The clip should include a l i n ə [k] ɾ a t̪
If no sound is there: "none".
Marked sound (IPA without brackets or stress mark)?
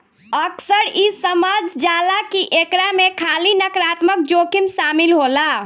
k